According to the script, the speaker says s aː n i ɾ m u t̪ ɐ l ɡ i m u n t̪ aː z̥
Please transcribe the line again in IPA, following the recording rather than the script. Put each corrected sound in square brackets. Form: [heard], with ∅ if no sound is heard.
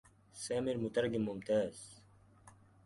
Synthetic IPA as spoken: s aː [m] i ɾ m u t̪ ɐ [ɾ] ɡ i m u [m] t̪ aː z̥